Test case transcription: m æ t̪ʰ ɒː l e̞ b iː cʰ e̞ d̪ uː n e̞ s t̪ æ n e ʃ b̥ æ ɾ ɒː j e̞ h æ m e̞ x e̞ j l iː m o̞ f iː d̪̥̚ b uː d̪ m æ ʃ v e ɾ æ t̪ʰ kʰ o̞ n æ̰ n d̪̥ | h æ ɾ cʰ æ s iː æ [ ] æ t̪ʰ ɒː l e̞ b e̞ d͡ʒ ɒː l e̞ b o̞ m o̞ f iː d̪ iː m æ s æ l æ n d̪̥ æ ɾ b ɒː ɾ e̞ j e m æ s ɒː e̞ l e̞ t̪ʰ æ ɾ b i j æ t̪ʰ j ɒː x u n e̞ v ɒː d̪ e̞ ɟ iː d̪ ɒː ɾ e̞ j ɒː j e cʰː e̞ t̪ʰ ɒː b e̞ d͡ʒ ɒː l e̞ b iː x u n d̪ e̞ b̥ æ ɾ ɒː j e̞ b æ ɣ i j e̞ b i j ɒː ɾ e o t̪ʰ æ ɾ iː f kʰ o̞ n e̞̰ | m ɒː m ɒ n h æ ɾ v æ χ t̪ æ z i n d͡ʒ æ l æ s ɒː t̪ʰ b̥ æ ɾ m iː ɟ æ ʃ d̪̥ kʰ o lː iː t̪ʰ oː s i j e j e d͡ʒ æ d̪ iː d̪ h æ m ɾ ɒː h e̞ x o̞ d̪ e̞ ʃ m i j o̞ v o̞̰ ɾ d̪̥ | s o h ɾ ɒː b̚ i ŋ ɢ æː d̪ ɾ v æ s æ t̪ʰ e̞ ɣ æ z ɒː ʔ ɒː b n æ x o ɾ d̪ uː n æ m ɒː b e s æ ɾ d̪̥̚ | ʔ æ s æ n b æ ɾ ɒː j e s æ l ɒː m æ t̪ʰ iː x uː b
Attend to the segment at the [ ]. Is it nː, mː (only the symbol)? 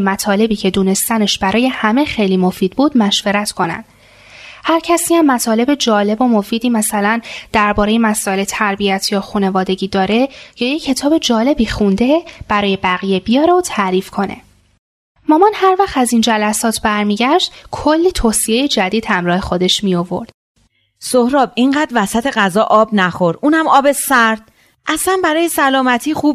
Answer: mː